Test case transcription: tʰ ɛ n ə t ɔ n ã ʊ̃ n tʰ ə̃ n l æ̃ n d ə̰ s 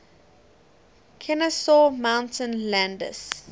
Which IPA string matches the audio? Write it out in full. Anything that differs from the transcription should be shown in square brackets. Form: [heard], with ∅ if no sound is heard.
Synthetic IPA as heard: [kʰ] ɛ n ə [s] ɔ [m] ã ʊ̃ n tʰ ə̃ n l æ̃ n d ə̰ s